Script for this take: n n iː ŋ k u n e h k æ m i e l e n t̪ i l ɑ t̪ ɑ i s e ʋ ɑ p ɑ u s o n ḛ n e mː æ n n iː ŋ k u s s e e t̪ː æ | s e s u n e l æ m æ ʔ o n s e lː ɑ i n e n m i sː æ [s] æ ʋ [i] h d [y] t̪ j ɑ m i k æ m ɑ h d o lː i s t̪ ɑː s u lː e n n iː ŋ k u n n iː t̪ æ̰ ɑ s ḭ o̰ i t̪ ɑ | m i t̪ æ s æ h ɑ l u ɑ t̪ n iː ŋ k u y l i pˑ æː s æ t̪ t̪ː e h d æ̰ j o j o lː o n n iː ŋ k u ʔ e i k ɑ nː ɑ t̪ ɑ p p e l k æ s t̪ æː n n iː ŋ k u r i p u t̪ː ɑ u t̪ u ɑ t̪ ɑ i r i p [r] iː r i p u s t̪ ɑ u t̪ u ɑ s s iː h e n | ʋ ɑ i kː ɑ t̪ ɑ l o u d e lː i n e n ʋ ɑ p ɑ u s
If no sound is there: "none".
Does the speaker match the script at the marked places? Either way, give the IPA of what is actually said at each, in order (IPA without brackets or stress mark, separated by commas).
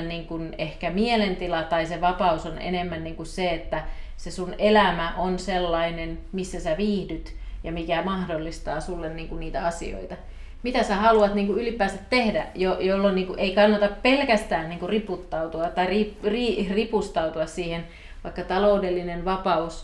s, iː, y, r